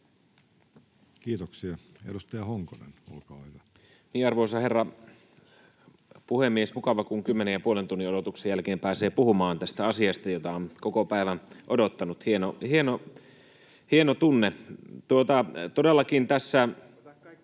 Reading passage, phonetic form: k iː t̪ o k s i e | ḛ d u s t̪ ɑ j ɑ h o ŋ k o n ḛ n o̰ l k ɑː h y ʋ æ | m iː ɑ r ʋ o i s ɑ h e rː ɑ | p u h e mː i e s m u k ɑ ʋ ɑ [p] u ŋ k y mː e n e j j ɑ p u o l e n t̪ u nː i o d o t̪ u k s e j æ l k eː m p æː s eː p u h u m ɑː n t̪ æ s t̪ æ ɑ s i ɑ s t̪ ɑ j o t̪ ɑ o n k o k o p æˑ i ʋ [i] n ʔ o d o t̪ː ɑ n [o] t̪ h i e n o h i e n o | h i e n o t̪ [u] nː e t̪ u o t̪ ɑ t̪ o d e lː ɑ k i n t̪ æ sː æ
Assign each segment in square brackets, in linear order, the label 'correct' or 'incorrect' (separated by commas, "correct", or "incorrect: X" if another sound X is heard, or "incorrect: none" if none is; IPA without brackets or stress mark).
incorrect: k, incorrect: æ, incorrect: u, correct